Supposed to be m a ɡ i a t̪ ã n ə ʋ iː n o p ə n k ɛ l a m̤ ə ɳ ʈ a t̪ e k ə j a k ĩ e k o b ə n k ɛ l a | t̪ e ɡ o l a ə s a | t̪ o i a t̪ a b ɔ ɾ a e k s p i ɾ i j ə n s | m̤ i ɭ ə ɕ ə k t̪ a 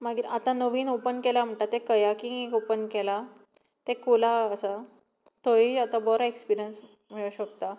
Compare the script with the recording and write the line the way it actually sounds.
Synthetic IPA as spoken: m a ɡ i a t̪ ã n ə ʋ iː n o p ə n k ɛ l a m̤ ə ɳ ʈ a t̪ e k ə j a k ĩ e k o p ə n k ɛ l a | t̪ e k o l a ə s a | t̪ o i a t̪ a b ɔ ɾ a e k s p i ɾ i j ə n s | m̤ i ɭ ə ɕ ə k t̪ a